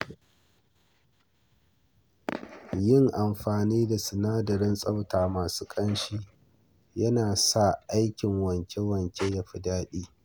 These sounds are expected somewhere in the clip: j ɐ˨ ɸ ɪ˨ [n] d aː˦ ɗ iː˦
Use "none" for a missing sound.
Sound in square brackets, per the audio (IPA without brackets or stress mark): none